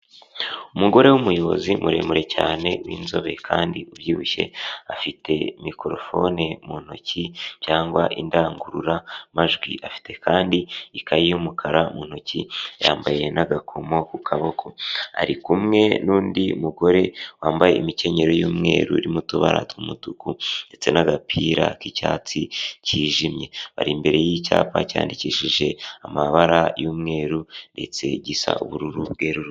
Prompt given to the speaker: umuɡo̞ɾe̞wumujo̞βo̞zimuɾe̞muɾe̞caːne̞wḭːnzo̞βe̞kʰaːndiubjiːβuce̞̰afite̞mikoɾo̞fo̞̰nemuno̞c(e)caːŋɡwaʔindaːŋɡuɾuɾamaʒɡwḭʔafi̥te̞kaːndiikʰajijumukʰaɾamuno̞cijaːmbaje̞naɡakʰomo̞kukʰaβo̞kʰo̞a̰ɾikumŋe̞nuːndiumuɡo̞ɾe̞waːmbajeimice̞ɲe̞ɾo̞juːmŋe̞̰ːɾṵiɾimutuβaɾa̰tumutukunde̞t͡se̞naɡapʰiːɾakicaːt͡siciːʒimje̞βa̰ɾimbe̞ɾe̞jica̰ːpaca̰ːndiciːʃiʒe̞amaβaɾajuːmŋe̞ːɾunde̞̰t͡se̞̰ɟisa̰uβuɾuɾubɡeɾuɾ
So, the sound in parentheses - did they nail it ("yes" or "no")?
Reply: no